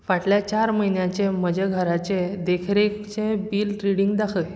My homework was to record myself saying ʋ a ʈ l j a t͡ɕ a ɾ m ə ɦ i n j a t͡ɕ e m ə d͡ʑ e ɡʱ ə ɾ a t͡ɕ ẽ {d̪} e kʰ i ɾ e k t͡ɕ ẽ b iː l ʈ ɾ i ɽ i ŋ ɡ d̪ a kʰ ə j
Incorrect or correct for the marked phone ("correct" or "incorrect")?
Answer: correct